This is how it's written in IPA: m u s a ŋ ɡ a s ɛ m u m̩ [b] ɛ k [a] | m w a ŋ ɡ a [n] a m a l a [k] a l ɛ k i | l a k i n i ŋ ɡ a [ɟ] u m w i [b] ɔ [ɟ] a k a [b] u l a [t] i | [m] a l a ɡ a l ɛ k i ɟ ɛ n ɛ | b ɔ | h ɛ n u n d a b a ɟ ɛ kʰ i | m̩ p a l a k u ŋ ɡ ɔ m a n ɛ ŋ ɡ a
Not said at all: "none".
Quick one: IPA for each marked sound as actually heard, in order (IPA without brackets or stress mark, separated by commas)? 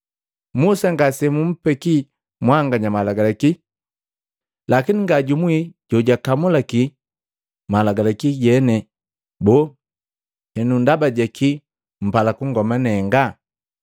p, i, ɲ, ɡ, ɟ, ɟ, ɟ, m, k, m